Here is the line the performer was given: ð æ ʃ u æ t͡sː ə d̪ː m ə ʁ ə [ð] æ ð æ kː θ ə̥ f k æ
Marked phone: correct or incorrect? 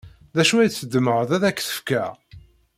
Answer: correct